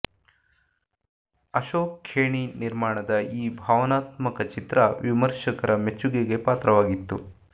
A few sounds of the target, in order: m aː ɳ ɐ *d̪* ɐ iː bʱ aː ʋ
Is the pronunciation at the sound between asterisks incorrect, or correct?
correct